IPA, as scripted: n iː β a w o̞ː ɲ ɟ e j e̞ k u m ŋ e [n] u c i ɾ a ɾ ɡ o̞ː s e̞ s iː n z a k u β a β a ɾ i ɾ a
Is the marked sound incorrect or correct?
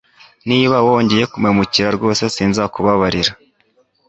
incorrect